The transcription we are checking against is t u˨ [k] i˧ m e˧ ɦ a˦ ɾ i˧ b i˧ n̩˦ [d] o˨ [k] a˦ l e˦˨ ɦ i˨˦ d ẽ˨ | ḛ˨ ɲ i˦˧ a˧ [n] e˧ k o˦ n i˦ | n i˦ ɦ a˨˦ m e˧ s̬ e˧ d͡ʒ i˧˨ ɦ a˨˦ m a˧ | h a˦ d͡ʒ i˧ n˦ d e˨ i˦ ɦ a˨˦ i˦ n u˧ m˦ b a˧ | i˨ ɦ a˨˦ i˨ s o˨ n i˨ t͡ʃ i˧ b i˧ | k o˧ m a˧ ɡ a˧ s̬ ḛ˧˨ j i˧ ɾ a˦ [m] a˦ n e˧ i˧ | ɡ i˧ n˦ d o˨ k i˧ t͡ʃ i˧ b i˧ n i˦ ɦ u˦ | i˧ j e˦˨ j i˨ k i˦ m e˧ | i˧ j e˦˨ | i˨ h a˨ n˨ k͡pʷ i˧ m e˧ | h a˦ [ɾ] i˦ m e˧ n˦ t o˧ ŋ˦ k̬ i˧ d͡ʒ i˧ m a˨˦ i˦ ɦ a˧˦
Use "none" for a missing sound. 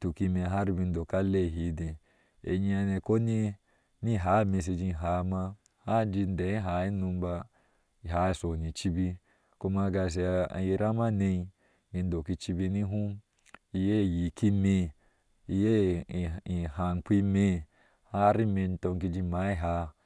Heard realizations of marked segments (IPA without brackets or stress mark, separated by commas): k, d, k, n, m, ɾ